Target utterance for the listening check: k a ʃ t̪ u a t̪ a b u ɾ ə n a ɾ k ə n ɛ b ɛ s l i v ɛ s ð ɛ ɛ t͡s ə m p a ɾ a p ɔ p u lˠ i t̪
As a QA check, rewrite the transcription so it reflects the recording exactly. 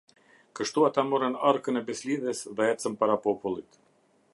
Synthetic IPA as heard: k ə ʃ t̪ u a t̪ a m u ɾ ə n a ɾ k ə n ɛ b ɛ s l i ð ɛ s ð ɛ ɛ t͡s ə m p a ɾ a p ɔ p u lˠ i t̪